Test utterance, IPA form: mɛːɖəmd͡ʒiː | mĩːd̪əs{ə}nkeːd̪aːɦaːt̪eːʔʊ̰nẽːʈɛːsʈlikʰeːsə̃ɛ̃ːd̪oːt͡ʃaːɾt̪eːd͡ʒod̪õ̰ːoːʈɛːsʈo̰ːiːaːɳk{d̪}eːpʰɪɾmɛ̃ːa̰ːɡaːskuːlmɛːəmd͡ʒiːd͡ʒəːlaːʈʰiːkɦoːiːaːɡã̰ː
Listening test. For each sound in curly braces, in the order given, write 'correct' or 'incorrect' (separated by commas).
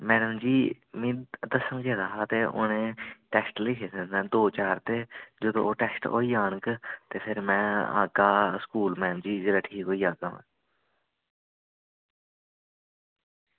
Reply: correct, incorrect